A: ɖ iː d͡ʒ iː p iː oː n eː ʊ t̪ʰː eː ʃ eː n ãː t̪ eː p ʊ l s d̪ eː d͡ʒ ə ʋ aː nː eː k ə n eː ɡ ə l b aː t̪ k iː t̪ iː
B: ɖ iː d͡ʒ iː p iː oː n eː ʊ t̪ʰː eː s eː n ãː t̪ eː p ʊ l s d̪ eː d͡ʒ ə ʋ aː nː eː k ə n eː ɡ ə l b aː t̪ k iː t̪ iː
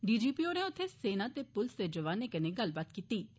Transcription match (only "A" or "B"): B